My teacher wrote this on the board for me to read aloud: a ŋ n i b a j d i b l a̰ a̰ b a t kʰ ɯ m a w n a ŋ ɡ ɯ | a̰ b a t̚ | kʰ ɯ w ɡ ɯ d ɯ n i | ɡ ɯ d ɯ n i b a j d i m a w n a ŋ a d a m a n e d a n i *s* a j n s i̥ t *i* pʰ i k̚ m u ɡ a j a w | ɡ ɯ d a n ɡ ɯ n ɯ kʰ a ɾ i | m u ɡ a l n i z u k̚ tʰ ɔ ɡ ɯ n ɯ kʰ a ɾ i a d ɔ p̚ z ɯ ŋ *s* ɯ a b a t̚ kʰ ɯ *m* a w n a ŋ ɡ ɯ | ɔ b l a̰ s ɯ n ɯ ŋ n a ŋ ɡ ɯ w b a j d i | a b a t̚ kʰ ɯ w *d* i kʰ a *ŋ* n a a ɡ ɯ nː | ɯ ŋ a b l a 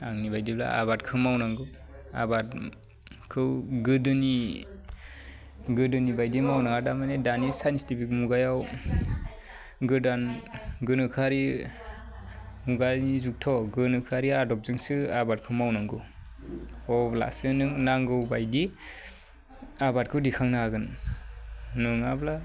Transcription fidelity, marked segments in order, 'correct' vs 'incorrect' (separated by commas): correct, correct, correct, correct, correct, correct